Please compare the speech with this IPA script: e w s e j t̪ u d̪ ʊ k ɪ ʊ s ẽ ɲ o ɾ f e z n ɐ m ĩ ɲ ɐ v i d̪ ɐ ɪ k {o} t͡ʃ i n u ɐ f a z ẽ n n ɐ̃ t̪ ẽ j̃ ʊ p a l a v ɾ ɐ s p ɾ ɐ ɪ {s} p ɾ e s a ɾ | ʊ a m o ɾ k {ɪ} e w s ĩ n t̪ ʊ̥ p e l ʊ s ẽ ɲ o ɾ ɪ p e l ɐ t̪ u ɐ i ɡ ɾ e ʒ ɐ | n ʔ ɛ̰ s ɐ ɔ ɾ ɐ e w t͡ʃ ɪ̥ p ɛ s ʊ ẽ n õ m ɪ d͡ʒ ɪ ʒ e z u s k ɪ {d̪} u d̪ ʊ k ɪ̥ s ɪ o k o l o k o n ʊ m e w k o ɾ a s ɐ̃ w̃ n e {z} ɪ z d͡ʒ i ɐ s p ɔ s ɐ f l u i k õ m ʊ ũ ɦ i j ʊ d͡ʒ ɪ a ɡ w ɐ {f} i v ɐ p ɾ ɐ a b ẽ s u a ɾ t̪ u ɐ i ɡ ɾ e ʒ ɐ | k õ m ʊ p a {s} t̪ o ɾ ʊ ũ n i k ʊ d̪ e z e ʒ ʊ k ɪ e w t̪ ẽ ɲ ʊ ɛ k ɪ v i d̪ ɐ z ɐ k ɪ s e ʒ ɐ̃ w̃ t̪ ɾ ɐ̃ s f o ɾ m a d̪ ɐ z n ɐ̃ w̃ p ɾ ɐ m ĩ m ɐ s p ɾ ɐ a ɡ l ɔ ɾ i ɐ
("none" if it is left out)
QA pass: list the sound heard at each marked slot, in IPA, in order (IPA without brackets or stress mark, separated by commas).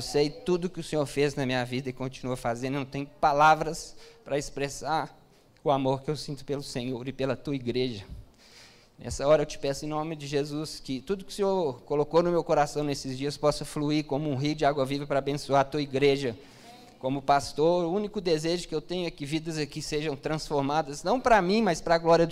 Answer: õ, s, ɪ, t̪, s, v, s